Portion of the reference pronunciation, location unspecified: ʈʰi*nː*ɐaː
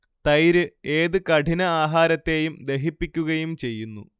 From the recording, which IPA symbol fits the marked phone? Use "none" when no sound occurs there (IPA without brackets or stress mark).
n